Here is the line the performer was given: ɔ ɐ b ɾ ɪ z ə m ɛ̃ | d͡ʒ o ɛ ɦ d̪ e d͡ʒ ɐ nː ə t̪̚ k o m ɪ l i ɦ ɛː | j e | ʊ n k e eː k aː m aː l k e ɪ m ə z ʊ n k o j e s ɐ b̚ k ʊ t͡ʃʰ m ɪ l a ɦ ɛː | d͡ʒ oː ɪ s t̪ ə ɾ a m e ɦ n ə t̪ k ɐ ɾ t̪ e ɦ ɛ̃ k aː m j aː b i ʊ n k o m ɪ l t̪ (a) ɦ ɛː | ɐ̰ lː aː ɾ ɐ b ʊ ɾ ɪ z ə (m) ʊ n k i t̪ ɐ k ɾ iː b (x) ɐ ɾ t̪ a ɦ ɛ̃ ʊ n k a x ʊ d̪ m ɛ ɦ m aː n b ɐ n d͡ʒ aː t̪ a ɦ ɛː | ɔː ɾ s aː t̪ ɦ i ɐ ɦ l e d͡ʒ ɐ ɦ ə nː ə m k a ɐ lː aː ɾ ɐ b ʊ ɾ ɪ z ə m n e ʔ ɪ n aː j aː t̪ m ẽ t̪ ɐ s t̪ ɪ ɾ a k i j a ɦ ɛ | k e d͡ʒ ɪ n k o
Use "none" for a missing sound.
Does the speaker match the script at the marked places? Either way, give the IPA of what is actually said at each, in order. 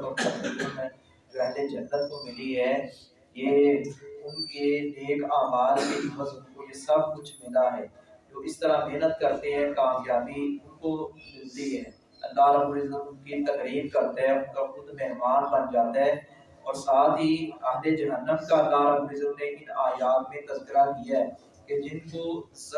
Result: i, m, k

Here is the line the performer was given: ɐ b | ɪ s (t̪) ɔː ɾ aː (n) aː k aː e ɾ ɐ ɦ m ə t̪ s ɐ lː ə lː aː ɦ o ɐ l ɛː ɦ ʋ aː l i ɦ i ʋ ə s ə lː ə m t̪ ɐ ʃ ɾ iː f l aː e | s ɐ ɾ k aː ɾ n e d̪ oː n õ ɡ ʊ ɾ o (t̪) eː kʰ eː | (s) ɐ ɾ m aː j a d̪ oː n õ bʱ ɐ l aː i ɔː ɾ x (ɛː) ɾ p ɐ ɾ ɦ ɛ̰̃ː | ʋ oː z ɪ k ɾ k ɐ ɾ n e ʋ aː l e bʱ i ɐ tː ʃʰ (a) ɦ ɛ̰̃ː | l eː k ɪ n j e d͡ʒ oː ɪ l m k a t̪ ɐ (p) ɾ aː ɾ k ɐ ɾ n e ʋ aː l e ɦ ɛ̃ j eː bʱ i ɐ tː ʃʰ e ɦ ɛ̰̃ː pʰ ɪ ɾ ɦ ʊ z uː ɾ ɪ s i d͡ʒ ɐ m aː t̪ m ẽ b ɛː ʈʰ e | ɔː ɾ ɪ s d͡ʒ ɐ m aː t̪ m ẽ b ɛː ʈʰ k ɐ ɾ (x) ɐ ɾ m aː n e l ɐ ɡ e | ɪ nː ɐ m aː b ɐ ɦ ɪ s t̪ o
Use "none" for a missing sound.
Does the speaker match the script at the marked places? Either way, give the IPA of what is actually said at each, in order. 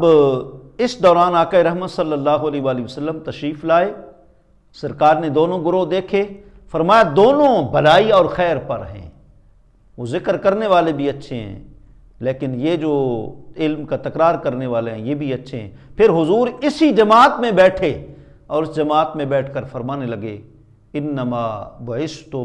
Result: d̪, n, d̪, f, ɛː, e, k, f

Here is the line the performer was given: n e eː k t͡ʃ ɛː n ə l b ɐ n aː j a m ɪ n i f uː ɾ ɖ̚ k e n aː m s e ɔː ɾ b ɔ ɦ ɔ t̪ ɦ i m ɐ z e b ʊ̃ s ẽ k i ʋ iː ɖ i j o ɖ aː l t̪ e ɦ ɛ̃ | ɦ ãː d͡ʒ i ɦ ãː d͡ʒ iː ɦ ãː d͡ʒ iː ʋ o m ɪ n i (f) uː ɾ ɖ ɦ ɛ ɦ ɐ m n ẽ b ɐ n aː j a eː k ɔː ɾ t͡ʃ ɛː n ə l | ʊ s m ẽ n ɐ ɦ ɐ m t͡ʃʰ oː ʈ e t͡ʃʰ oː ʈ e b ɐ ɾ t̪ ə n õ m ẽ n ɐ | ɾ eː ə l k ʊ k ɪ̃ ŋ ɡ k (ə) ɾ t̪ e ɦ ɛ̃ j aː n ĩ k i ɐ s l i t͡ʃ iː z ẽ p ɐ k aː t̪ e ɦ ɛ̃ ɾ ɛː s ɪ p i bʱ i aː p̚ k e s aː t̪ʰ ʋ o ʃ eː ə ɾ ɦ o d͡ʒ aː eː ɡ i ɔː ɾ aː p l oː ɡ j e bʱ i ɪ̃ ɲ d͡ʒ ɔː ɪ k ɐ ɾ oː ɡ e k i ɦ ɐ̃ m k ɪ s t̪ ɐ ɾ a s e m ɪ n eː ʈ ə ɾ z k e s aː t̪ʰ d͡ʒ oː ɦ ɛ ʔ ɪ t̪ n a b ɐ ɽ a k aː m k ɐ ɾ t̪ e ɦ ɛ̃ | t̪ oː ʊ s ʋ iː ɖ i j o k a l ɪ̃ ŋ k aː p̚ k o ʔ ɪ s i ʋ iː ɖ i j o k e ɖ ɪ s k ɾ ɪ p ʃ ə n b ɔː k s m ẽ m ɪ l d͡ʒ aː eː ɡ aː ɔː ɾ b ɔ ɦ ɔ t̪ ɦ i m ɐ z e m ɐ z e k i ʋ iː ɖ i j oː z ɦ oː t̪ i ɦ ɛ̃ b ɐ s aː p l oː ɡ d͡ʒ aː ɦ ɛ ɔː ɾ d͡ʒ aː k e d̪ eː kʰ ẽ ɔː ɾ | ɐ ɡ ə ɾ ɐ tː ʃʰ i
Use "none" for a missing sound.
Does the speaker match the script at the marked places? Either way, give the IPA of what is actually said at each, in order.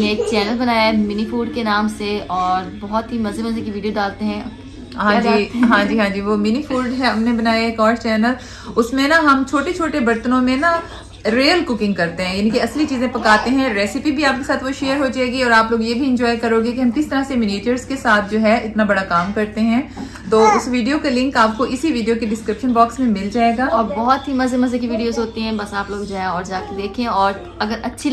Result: f, ɐ

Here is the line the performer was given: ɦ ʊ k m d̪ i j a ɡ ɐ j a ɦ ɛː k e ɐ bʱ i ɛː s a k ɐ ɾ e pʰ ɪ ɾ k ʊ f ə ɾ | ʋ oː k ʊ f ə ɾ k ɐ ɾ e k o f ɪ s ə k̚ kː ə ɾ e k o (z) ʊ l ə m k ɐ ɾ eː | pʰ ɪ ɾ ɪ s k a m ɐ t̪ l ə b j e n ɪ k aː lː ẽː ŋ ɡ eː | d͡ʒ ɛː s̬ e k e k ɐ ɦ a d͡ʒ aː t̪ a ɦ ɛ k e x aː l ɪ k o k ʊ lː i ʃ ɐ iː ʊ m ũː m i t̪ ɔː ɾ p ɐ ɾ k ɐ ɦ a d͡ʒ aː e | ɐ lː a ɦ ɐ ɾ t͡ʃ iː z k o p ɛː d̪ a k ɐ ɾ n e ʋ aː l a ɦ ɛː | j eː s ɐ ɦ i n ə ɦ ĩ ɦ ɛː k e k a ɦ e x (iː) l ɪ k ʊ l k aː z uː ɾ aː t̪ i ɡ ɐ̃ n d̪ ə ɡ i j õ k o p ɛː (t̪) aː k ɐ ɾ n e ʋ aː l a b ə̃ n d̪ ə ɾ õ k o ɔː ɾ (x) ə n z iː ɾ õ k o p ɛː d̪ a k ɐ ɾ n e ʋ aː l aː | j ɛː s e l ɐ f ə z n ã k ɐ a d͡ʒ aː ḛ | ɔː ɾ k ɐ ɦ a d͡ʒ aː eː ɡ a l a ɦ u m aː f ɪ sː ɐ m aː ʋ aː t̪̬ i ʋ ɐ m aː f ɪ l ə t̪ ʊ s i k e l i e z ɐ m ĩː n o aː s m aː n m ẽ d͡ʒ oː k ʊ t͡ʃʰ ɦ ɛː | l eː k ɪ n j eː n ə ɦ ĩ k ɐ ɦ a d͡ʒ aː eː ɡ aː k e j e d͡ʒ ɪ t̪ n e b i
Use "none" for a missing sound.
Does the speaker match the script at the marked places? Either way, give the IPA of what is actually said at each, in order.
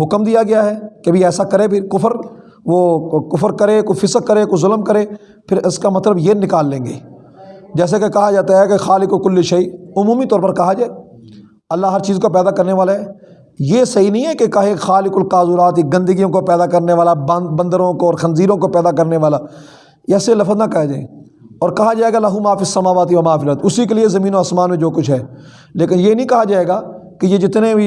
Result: z, aː, d̪, x

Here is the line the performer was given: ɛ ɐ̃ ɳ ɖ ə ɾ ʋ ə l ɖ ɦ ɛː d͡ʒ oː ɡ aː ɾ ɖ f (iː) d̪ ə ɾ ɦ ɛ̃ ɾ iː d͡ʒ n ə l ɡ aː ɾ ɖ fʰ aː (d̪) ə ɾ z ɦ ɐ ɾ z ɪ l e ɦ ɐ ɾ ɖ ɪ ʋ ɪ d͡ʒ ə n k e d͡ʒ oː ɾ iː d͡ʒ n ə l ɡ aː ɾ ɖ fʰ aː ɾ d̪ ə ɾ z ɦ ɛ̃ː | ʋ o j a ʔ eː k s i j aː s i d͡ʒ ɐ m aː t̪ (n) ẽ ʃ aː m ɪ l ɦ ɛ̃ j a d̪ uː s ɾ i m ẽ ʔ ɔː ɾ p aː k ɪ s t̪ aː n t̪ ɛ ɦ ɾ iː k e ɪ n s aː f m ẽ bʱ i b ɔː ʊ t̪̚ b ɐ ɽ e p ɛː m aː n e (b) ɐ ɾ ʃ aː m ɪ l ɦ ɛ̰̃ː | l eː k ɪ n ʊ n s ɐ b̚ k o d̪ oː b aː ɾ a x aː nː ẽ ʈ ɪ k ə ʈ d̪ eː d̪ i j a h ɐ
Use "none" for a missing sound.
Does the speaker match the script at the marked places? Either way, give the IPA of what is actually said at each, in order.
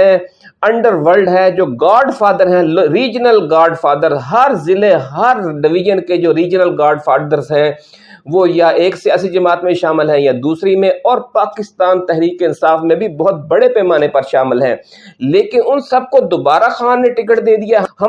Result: aː, d̪, m, p

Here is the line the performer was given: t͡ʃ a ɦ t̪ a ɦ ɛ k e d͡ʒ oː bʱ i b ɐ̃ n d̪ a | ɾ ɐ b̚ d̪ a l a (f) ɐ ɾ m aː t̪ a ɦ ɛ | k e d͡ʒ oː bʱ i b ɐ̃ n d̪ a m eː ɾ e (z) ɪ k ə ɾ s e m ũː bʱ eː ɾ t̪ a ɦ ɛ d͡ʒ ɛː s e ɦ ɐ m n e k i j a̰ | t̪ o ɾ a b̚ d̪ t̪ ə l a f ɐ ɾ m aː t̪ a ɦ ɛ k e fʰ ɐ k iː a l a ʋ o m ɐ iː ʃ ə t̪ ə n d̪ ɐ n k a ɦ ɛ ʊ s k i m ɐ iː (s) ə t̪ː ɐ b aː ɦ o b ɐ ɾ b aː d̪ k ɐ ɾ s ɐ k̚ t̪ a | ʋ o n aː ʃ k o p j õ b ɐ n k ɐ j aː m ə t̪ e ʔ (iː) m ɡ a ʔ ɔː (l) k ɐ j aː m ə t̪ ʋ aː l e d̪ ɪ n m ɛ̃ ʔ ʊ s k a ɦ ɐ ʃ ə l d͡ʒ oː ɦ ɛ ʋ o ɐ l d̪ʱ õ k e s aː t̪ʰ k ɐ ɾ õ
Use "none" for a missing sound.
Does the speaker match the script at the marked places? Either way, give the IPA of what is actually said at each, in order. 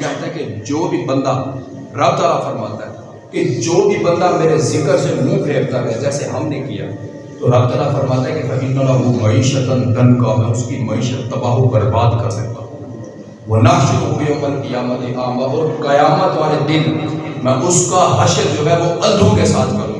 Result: f, z, ʃ, aː, ɾ

